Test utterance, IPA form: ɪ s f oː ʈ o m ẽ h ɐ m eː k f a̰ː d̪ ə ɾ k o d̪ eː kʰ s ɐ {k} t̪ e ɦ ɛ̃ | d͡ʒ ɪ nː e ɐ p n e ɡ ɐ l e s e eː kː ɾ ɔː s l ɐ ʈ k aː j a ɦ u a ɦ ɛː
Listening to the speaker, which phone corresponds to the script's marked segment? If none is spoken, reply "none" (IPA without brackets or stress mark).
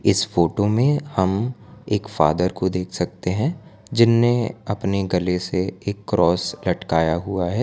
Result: k